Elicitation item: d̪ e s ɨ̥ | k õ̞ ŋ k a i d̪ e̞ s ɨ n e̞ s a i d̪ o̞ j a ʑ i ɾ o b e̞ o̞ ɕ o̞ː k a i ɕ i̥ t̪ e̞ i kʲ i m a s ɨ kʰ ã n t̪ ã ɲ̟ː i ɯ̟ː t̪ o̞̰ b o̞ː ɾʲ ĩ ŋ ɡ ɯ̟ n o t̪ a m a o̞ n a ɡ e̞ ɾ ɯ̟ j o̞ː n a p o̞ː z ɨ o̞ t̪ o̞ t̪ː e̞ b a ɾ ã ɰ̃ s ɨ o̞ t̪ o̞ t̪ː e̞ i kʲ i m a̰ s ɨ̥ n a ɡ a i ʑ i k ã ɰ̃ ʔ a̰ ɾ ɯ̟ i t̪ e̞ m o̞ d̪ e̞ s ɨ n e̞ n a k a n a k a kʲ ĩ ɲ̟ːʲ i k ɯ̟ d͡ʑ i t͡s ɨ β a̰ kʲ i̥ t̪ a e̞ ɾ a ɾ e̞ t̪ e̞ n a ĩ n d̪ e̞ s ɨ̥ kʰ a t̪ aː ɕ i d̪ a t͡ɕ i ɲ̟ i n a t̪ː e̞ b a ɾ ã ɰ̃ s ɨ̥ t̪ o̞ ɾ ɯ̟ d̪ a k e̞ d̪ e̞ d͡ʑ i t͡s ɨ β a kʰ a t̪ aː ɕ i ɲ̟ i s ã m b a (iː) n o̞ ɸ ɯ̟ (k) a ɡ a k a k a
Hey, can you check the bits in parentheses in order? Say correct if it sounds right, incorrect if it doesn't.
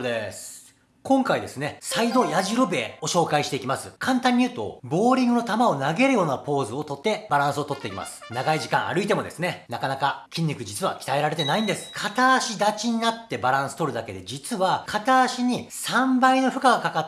incorrect: i, correct

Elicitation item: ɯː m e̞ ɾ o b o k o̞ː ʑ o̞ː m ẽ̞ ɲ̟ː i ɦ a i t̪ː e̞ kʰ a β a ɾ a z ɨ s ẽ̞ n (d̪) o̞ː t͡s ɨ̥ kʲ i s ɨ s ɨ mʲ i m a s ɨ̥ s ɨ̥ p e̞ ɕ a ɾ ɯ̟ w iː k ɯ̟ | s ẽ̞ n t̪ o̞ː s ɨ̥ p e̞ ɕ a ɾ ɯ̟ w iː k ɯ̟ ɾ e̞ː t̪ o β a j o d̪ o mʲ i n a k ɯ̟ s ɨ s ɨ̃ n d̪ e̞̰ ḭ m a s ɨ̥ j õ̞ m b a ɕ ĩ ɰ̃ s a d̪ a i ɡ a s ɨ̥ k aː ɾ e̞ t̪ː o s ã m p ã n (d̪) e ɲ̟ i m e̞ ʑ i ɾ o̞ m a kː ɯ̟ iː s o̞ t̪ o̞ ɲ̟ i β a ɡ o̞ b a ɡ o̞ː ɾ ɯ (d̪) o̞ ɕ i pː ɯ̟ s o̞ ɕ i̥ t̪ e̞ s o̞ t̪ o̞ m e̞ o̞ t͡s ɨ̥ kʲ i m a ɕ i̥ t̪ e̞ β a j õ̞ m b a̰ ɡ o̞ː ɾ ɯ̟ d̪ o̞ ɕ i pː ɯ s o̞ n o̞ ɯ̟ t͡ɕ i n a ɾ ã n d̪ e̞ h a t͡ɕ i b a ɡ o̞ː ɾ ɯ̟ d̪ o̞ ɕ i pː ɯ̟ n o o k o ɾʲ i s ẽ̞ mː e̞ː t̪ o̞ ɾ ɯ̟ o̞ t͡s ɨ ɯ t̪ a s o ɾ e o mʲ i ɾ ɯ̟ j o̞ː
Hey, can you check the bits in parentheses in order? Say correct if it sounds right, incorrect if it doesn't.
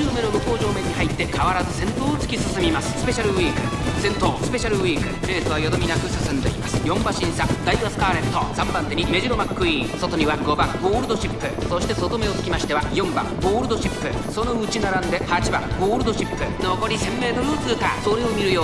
incorrect: t̪, incorrect: t̪, correct

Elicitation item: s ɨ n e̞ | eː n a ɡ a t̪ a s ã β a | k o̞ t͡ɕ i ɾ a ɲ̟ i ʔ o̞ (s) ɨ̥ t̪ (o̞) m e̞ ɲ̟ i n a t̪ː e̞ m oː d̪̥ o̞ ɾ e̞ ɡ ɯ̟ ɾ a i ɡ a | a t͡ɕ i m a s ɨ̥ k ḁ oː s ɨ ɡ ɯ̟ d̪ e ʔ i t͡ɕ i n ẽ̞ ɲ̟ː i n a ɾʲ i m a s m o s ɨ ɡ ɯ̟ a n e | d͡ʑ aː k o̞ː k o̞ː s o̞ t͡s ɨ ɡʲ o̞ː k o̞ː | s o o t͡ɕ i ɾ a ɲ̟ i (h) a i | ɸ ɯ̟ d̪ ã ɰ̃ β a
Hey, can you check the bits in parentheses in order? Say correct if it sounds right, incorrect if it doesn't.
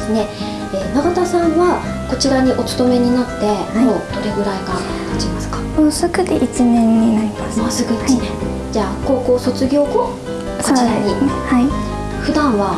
incorrect: t͡s, correct, correct

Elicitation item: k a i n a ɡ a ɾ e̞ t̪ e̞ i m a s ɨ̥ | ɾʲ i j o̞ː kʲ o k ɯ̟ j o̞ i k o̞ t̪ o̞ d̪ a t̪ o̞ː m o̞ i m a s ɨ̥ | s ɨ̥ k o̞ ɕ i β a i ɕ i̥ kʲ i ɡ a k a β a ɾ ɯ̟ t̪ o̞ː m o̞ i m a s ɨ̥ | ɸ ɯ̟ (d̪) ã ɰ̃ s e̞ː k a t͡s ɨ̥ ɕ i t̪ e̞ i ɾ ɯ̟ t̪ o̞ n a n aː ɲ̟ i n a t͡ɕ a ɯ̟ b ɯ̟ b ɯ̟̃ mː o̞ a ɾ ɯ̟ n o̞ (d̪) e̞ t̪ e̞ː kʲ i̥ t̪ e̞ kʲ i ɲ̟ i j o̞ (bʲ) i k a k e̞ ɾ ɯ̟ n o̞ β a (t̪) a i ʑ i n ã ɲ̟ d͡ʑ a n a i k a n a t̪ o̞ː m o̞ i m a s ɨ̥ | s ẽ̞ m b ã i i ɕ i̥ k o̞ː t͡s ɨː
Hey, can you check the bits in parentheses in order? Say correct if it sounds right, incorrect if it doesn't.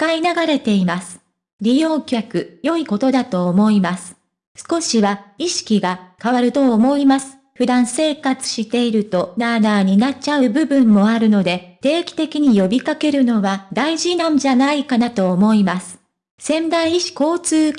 correct, correct, correct, incorrect: d̪

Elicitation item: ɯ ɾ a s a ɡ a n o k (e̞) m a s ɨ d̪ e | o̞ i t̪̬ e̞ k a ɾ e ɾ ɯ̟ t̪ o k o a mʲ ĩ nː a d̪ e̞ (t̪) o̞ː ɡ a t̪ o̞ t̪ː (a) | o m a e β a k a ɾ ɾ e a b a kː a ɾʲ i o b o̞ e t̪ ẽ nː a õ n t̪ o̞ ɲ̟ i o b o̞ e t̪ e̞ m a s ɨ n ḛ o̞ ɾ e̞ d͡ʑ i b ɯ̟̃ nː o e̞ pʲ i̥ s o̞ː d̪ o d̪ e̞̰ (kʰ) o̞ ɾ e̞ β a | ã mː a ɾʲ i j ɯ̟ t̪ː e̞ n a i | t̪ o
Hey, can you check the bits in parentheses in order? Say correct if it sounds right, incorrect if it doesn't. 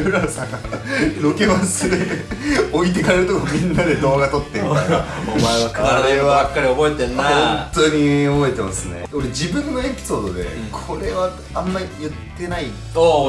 correct, incorrect: d̪, incorrect: e, correct

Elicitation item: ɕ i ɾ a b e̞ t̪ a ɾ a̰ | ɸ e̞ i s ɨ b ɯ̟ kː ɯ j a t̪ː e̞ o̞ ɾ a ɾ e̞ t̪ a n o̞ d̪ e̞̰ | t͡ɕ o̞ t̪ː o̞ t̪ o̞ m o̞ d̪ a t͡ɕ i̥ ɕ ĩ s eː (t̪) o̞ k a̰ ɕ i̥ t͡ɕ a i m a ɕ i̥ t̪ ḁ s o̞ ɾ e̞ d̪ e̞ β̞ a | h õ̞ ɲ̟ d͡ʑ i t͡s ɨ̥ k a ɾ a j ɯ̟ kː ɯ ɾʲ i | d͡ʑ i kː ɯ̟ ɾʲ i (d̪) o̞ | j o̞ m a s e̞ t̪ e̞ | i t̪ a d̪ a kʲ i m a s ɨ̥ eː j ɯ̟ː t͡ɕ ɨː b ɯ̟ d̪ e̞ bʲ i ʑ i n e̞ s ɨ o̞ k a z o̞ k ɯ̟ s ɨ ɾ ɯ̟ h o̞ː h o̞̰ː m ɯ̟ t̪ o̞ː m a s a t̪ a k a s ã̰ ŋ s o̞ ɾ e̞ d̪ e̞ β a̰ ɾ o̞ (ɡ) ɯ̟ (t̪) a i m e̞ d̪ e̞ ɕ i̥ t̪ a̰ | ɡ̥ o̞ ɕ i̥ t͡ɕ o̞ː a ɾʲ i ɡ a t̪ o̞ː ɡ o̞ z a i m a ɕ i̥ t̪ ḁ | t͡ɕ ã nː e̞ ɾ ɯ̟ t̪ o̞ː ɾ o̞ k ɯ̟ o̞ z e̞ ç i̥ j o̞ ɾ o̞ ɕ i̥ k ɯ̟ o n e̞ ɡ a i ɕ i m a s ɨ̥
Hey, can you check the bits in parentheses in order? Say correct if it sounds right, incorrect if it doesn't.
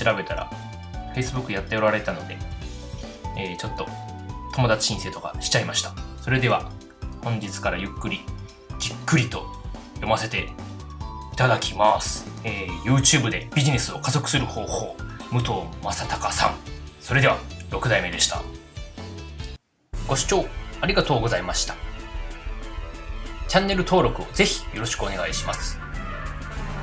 correct, incorrect: t̪, incorrect: k, incorrect: d̪

